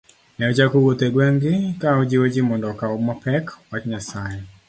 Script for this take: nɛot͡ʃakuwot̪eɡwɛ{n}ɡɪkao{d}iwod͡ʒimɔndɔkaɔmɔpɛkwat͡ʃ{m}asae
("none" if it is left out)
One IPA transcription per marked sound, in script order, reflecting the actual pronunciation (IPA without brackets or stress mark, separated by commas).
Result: ŋ, d͡ʒ, ɲ